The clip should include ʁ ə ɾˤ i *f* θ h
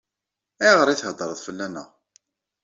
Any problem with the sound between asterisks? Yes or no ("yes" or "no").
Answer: yes